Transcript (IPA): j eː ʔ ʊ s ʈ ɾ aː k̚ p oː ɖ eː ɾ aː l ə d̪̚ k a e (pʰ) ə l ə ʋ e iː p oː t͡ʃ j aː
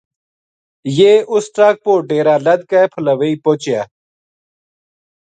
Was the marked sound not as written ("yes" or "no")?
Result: no